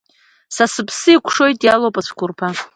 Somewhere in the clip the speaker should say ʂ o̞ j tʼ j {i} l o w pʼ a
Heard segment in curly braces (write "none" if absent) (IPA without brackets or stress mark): a